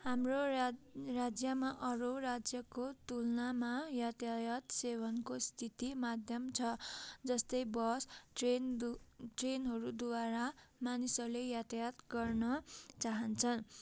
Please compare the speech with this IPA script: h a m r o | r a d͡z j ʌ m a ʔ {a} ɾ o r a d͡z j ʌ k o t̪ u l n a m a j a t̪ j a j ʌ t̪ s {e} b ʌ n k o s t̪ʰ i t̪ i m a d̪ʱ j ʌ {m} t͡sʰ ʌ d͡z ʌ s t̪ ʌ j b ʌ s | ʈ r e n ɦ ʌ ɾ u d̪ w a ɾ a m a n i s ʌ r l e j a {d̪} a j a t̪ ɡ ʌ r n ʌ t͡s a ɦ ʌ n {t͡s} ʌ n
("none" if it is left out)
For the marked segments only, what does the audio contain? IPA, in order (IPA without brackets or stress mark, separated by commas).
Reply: ʌ, e, m, t̪, t͡sʰ